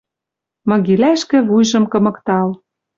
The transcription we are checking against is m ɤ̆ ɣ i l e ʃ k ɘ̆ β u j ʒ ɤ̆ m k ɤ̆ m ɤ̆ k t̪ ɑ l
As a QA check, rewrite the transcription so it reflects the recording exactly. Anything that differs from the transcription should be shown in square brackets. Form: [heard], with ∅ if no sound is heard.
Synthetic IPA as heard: m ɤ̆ ɣ i l [æ] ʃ k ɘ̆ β u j ʒ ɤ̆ m k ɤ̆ m ɤ̆ k t̪ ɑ l